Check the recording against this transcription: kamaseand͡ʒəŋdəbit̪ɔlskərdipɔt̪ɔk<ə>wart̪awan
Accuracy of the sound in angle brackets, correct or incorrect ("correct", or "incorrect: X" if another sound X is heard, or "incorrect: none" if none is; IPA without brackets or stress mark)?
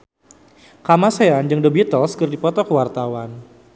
correct